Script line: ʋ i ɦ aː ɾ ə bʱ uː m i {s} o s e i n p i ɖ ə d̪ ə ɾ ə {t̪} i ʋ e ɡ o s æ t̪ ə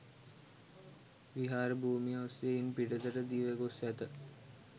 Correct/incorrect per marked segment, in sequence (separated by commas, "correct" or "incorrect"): incorrect, incorrect